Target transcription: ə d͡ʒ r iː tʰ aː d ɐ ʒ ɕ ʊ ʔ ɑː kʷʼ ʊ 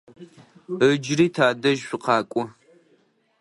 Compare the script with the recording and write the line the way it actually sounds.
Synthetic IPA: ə d͡ʒ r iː tʰ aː d ɐ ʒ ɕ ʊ q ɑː kʷʼ ʊ